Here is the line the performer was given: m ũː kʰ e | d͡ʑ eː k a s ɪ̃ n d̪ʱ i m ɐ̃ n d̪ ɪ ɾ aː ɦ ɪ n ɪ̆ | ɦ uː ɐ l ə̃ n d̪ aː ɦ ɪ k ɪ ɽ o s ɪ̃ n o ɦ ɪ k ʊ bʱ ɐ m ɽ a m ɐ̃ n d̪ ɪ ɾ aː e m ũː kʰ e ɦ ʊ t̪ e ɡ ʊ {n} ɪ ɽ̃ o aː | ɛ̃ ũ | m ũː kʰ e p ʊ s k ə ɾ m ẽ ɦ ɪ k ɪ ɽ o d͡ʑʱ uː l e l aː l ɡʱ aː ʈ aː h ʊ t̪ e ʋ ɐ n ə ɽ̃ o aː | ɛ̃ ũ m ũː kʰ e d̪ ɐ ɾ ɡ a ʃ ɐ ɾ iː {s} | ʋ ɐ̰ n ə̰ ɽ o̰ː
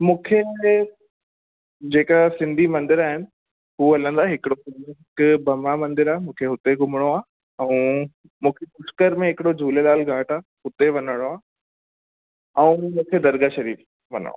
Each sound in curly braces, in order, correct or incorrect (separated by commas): incorrect, incorrect